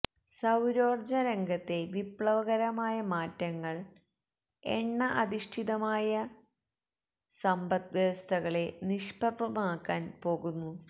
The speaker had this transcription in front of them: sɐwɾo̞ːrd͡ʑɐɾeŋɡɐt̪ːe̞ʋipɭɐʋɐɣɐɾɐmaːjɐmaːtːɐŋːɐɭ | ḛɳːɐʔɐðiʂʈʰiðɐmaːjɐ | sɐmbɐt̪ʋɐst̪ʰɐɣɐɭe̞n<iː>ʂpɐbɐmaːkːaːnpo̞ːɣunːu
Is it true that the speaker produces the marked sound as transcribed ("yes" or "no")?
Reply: no